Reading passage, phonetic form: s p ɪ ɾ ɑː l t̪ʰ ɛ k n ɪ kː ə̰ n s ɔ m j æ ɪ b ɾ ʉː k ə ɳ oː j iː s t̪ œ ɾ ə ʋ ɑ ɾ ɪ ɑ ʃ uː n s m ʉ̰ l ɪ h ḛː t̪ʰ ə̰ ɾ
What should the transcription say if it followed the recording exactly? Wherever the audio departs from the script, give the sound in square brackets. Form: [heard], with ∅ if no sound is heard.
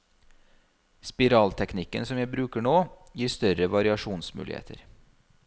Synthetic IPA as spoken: s p ɪ ɾ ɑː l t̪ʰ ɛ k n ɪ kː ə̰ n s ɔ m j æ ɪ b ɾ ʉː k ə ɳ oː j iː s t̪ œ ɾ ə ʋ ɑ ɾ ɪ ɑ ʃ uː n s m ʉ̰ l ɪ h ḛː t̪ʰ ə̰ ɾ